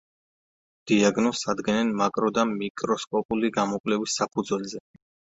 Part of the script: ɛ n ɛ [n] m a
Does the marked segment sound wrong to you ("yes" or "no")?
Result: no